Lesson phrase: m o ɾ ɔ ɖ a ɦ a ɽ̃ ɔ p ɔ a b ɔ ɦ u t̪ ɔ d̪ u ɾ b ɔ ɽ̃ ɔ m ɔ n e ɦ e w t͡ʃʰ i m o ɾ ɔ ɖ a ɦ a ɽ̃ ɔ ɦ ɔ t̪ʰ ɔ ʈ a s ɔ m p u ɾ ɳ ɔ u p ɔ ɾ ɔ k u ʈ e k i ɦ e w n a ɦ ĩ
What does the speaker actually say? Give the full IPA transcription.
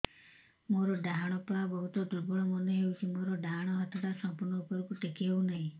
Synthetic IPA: m o ɾ ɔ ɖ a ɦ a ɽ̃ ɔ p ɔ a b ɔ ɦ u t̪ ɔ d̪ u ɾ b ɔ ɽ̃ ɔ m ɔ n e ɦ e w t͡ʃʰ i m o ɾ ɔ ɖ a ɦ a ɽ̃ ɔ ɦ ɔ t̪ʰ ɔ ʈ a s ɔ m p u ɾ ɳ ɔ u p ɔ ɾ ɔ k u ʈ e k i ɦ e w n a ɦ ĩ